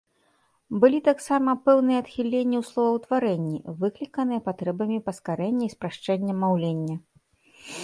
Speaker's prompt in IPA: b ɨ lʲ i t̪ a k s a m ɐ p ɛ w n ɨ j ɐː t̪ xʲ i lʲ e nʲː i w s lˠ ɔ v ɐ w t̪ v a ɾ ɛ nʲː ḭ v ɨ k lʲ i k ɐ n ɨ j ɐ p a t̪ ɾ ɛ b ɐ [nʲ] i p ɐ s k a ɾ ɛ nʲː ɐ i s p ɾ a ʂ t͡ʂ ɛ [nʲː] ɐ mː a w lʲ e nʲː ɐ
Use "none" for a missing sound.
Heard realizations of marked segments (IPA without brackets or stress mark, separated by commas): mʲ, nʲː